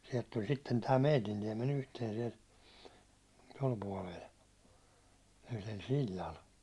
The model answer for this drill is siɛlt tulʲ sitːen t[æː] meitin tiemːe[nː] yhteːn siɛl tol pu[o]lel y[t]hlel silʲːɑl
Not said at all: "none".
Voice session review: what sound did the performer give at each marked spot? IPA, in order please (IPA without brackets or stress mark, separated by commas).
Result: æː, n, ɒ, none